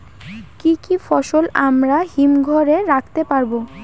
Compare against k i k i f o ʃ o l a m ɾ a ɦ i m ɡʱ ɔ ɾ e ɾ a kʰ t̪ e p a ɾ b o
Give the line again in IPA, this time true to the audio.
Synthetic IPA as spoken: k i k i f ɔ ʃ o l a m ɾ a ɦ i m ɡʱ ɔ ɾ e ɾ a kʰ t̪ e p a ɾ b o